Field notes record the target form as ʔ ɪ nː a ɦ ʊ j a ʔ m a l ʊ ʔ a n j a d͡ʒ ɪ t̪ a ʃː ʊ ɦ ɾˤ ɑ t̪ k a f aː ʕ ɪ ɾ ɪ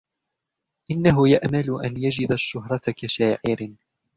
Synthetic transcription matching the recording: ʔ ɪ nː a ɦ ʊ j a ʔ m a l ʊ ʔ a n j a d͡ʒ ɪ d̪ a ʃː ʊ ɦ ɾˤ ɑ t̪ k a ʃ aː ʕ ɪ ɾ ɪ